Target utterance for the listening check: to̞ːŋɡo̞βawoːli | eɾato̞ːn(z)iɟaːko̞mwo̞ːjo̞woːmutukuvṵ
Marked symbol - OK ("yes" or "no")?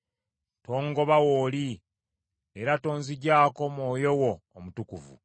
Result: yes